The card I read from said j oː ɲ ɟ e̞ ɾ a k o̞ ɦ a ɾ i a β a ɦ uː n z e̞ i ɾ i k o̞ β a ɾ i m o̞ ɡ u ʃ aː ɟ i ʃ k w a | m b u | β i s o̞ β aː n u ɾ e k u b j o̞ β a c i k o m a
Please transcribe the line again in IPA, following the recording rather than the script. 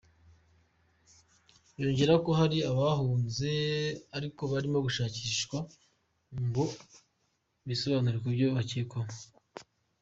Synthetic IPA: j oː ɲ ɟ e̞ ɾ a k o̞ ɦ a ɾ i a β a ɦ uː n z e̞ a ɾ i k o̞ β a ɾ i m o̞ ɡ u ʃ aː c i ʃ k w a | m b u | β i s o̞ β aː n u ɾ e k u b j o̞ β a c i k o m a